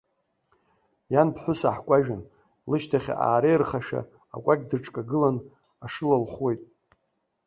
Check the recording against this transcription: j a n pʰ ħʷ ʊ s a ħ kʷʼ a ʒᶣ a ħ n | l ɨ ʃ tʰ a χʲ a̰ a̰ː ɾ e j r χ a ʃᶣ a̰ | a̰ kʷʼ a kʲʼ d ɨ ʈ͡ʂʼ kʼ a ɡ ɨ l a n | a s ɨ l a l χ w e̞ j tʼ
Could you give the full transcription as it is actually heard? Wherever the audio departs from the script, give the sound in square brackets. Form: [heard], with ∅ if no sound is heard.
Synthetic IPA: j a n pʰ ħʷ ʊ s a ħ kʷʼ a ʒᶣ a [∅] n | l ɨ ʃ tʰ a χʲ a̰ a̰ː ɾ e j r χ a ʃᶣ a̰ | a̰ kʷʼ a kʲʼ d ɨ ʈ͡ʂʼ kʼ a ɡ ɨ l a n | a [ʂ] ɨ l a l χ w e̞ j tʼ